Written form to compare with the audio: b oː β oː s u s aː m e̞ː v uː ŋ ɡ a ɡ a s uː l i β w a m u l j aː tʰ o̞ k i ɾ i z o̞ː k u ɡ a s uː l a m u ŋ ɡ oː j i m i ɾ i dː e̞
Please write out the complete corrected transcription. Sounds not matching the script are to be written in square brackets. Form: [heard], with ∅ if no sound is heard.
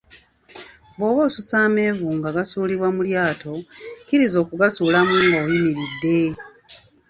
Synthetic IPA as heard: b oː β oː s u s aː m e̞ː v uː ŋ ɡ a ɡ a s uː l i β w a m u l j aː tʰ o̞ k i ɾ i z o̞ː k u ɡ a s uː l a m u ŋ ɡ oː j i m i ɾ i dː e̞

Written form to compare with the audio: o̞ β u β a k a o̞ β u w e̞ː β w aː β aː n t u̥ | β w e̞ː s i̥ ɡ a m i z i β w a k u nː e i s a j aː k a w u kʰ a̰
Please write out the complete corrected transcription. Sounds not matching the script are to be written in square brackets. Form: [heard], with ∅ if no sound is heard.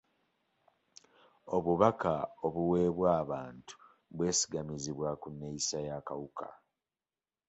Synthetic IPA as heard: o̞ β u β a k a o̞ β u w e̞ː β w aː β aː n t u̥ | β w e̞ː s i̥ ɡ a m i z i β w a k u nː e i s a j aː k a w u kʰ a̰

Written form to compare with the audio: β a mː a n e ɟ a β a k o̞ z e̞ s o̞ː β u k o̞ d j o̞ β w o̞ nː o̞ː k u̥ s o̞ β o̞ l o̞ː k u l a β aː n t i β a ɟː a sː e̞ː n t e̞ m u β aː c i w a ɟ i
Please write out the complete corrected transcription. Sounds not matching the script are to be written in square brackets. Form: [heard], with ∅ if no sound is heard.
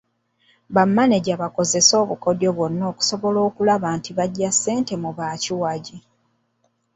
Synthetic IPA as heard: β a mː a n e ɟ a β a k o̞ z e̞ s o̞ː β u k o̞ d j o̞ β w o̞ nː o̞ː k u̥ s o̞ β o̞ l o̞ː k u l a β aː n t i β a ɟː a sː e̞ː n t e̞ m u β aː c i w a ɟ i

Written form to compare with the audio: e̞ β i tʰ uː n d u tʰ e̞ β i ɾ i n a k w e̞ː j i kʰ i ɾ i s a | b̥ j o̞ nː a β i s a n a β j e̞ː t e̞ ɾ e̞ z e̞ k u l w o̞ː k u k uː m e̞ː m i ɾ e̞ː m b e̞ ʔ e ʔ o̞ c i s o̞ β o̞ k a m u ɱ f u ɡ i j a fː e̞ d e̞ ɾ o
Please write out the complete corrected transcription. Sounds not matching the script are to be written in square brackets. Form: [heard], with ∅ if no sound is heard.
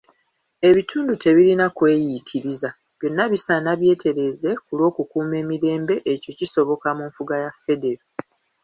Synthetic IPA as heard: e̞ β i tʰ uː n d u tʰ e̞ β i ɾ i n a k w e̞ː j i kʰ i ɾ i [z] a | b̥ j o̞ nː a β i s a n a β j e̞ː t e̞ ɾ e̞ z e̞ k u l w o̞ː k u k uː m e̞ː m i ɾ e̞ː m b e̞ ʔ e [c] o̞ c i s o̞ β o̞ k a m u ɱ f u ɡ [a] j a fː e̞ d e̞ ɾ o

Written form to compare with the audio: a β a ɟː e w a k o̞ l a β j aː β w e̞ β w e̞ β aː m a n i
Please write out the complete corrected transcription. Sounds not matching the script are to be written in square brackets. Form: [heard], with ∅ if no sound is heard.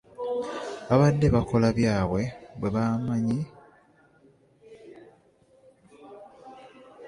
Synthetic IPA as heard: a β a [dː] e [β] a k o̞ l a β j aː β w e̞ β w e̞ β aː m a [ɲ] i

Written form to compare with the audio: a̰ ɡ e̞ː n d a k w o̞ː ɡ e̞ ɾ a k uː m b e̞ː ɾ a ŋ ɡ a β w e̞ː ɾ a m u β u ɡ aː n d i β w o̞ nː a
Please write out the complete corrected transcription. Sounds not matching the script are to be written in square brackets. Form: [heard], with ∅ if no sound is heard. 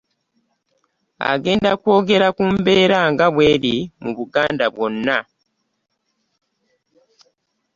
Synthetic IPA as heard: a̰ ɡ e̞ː n d a k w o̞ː ɡ e̞ ɾ a k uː m b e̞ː ɾ a ŋ ɡ a β w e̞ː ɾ [i] m u β u ɡ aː n d [a] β w o̞ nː a

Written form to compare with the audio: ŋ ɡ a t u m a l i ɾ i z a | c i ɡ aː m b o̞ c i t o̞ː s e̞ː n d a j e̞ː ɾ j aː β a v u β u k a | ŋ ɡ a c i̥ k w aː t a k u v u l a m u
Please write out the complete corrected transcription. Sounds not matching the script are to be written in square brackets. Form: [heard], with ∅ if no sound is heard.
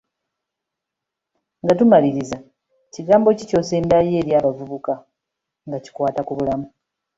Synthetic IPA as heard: ŋ ɡ a t u m a l i ɾ i z a | c i ɡ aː m b o̞ c i [c] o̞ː s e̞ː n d a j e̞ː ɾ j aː β a v u β u k a | ŋ ɡ a c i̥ k w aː t a k u [β] u l a m u

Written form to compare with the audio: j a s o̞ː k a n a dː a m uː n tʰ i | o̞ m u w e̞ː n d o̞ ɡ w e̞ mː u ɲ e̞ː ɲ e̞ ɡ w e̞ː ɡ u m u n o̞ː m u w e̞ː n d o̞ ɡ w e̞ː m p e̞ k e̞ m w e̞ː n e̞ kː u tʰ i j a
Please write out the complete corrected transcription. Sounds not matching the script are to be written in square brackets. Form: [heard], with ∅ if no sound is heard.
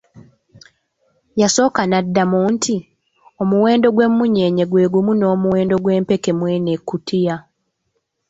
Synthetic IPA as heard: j a s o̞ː k a n a dː a m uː n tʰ i | o̞ m u w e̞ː n d o̞ ɡ w e̞ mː u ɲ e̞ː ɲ e̞ ɡ w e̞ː ɡ u m u n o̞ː m u w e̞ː n d o̞ ɡ w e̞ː m p e̞ k e̞ m w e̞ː n e̞ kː u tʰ i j a

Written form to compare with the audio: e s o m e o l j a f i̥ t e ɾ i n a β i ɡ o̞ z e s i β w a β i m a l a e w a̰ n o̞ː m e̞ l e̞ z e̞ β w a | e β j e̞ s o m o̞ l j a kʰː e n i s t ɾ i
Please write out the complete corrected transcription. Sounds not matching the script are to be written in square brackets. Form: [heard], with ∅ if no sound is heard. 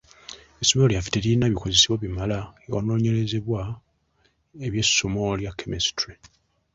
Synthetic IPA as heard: e s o m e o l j a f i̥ t e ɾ i n a β i [k] o̞ z e s i β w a β i m a l a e w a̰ n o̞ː [ɲ] e̞ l e̞ z e̞ β w a | e β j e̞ s o m o̞ l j a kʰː e [m] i s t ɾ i

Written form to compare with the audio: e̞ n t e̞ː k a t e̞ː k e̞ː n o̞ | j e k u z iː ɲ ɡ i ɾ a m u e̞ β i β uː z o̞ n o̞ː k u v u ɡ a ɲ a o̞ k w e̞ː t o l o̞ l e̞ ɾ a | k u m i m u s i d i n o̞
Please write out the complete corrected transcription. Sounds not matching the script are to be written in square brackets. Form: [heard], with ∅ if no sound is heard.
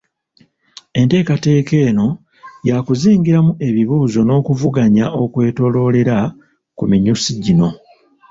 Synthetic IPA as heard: e̞ n t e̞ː k a t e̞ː k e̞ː n o̞ | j [a] k u z iː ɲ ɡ i ɾ a m u e̞ β i β uː z o̞ n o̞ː k u v u ɡ a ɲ a o̞ k w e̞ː t o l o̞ l e̞ ɾ a | k u m i [ɲ] u s i [ɟ] i n o̞

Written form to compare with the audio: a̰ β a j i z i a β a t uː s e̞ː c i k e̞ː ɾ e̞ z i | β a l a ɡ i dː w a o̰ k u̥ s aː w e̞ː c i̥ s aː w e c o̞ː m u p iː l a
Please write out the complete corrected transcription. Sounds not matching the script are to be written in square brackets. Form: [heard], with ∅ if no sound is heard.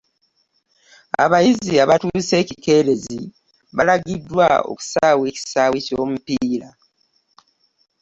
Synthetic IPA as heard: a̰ β a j i z i a β a t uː s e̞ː c i k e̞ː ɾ e̞ z i | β a l a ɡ i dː w a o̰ k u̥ s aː w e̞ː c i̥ s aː w e c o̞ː m u p iː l a

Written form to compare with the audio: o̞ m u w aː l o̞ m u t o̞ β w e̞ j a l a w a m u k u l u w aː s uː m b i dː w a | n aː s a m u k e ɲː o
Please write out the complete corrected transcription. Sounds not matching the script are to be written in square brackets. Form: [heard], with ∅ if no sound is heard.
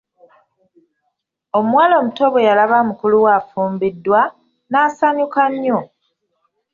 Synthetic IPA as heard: o̞ m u w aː l o̞ m u t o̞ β w e̞ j a l a [β] a m u k u l u w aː [f] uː m b i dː w a | n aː s a [ɲ] u k [a] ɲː o

